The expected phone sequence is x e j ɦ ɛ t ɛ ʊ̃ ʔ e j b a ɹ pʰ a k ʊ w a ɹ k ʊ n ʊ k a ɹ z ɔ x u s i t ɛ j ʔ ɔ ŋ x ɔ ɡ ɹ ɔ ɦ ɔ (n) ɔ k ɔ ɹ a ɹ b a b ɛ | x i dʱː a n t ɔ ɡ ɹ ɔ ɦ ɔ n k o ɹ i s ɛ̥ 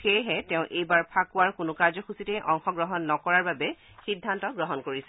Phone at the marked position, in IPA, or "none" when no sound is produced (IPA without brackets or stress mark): nː